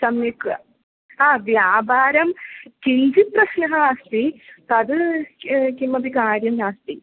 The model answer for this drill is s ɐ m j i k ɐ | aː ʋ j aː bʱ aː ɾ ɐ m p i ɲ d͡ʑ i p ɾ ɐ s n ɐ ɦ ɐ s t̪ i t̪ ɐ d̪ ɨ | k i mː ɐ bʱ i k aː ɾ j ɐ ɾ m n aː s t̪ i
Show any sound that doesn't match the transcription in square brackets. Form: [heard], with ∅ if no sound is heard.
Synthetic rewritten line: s ɐ m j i k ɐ | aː ʋ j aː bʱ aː ɾ ɐ m [k] i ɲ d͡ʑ i p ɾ ɐ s n ɐ ɦ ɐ s t̪ i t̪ ɐ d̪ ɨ | k i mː ɐ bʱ i k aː ɾ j ɐ [∅] m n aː s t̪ i

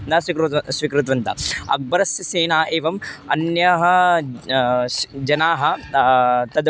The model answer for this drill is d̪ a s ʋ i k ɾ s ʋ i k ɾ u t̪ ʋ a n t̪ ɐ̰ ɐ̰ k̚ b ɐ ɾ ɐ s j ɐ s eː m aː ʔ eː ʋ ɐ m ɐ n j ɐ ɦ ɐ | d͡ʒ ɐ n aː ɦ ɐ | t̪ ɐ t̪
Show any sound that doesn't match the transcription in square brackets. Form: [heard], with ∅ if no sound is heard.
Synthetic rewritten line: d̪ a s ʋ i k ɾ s ʋ i k ɾ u t̪ ʋ [ɐ] n t̪ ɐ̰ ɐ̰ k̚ b ɐ ɾ ɐ s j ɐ s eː [n] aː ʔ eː ʋ ɐ m ɐ n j ɐ ɦ ɐ | d͡ʒ ɐ n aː ɦ ɐ | t̪ ɐ [d̪]

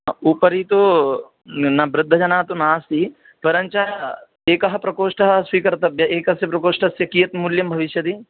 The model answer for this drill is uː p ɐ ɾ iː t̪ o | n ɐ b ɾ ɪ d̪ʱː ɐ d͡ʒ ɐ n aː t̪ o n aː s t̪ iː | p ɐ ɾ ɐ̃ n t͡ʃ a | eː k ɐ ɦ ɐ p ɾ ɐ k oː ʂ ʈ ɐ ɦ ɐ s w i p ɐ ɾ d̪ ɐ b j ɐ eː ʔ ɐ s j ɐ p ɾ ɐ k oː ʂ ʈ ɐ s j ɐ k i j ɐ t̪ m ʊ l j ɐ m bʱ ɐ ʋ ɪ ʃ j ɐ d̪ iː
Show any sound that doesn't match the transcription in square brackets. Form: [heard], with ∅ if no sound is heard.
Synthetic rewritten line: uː p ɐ ɾ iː t̪ o | n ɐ b ɾ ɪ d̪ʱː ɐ d͡ʒ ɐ n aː t̪ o n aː s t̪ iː | p ɐ ɾ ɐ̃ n t͡ʃ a | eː k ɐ ɦ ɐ p ɾ ɐ k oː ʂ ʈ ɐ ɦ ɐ s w i [k] ɐ ɾ [t̪] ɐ b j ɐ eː [k] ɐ s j ɐ p ɾ ɐ k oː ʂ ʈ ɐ s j ɐ k i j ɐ t̪ m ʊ l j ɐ m bʱ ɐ ʋ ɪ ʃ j ɐ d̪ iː

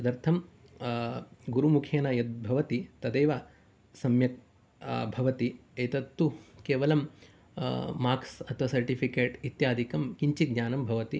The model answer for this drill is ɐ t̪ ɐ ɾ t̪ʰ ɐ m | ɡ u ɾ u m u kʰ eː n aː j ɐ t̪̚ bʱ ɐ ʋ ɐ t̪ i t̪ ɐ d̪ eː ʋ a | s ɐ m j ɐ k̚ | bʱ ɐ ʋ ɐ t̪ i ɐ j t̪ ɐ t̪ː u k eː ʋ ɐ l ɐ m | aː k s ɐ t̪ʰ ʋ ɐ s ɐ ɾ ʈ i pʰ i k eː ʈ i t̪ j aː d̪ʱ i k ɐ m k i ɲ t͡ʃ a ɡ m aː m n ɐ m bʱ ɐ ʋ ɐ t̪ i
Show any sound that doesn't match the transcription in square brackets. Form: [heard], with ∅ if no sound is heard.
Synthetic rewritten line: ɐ [d̪] ɐ ɾ t̪ʰ ɐ m | ɡ u ɾ u m u kʰ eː n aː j ɐ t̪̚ bʱ ɐ ʋ ɐ t̪ i t̪ ɐ d̪ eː ʋ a | s ɐ m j ɐ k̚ | bʱ ɐ ʋ ɐ t̪ i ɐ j t̪ ɐ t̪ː u k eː ʋ ɐ l ɐ m | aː k s ɐ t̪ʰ ʋ ɐ s ɐ ɾ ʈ i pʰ i k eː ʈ i t̪ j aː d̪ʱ i k ɐ m k i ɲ t͡ʃ [i] ɡ [ɲ] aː [∅] n ɐ m bʱ ɐ ʋ ɐ t̪ i

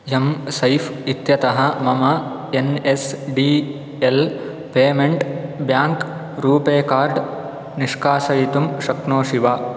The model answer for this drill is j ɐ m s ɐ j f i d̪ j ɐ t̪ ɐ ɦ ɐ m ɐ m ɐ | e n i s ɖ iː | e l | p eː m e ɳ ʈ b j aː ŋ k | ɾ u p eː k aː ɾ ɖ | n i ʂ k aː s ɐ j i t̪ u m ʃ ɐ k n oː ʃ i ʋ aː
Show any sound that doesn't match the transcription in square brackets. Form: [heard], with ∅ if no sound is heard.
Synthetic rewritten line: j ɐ m s ɐ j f i [t̪] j ɐ t̪ ɐ ɦ ɐ m ɐ m ɐ | e n [e] s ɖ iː | e l | p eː m e ɳ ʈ b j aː ŋ k | ɾ [uː] p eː k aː ɾ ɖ | n i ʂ k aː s ɐ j i t̪ u m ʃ ɐ k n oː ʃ i ʋ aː

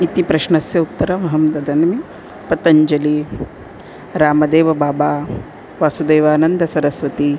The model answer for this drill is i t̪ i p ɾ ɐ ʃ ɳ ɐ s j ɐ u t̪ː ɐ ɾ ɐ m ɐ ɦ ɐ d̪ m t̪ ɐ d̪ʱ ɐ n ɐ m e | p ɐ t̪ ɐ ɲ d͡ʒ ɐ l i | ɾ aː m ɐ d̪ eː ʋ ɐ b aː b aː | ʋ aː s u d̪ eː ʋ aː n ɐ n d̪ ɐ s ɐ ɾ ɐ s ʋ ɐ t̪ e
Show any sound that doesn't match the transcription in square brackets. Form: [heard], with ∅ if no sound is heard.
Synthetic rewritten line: i t̪ i p ɾ ɐ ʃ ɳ ɐ s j ɐ u t̪ː ɐ ɾ ɐ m ɐ ɦ ɐ [∅] m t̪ ɐ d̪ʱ ɐ n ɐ m [i] | p ɐ t̪ ɐ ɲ d͡ʒ ɐ l i | ɾ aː m ɐ d̪ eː ʋ ɐ b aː b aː | ʋ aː s u d̪ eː ʋ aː n ɐ n d̪ ɐ s ɐ ɾ ɐ s ʋ ɐ t̪ [i]

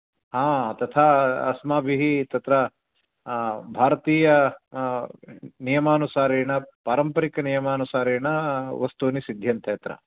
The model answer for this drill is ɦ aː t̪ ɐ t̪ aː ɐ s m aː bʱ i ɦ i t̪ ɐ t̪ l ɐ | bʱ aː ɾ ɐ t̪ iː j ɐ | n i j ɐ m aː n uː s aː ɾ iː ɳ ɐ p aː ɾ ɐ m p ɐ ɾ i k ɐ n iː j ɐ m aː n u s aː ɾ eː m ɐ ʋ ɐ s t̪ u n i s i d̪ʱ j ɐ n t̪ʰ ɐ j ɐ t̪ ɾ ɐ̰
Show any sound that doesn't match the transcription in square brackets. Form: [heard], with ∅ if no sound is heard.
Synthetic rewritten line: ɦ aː t̪ ɐ [t̪ʰ] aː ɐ s m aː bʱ i ɦ i t̪ ɐ t̪ [ɾ] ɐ | bʱ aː ɾ ɐ t̪ iː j ɐ | n i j ɐ m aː n [u] s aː ɾ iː ɳ ɐ p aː ɾ ɐ m p ɐ ɾ i k ɐ n [i] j ɐ m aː n u s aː ɾ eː [ɳ] ɐ ʋ ɐ s t̪ u n i s i d̪ʱ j ɐ n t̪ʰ ɐ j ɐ t̪ ɾ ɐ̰

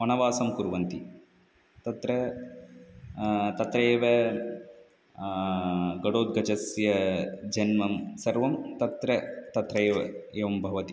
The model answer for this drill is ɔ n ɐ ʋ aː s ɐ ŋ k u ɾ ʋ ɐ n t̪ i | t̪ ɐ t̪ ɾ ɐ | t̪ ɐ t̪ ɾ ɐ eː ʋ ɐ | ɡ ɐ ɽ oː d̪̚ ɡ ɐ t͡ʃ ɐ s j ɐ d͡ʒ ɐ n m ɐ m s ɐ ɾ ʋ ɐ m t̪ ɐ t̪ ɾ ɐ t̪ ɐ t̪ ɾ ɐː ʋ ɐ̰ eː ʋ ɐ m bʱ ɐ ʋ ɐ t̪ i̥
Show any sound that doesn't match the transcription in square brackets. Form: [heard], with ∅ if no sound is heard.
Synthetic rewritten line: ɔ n ɐ ʋ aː s ɐ [m] k u ɾ ʋ ɐ n t̪ i | t̪ ɐ t̪ ɾ ɐ | t̪ ɐ t̪ ɾ ɐ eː ʋ ɐ | ɡ ɐ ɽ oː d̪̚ ɡ ɐ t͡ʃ ɐ s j ɐ d͡ʒ ɐ n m ɐ m s ɐ ɾ ʋ ɐ m t̪ ɐ t̪ ɾ ɐ t̪ ɐ t̪ ɾ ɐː ʋ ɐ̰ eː ʋ ɐ m bʱ ɐ ʋ ɐ t̪ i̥

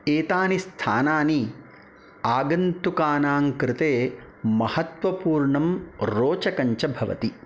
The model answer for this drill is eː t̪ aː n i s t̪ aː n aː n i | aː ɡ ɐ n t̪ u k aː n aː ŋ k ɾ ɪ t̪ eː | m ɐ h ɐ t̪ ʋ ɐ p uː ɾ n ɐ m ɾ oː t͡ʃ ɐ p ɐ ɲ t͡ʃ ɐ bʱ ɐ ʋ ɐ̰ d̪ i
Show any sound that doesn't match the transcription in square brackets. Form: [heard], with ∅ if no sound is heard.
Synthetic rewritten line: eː t̪ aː n i s [t̪ʰ] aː n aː n i | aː ɡ ɐ n t̪ u k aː n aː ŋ k ɾ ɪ t̪ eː | m ɐ h ɐ t̪ ʋ ɐ p uː ɾ [ɳ] ɐ m ɾ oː t͡ʃ ɐ [k] ɐ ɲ t͡ʃ ɐ bʱ ɐ ʋ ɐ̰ [t̪] i

